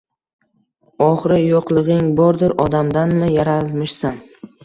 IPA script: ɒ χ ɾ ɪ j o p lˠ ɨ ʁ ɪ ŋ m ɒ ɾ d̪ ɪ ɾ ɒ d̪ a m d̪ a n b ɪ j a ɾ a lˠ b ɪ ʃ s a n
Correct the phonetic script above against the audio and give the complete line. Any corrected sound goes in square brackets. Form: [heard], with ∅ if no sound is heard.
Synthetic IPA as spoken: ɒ χ ɾ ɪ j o [q] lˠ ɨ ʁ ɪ ŋ [b] ɒ ɾ d̪ ɪ ɾ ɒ d̪ a m d̪ a n [m] ɪ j a ɾ a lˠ [m] ɪ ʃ s a n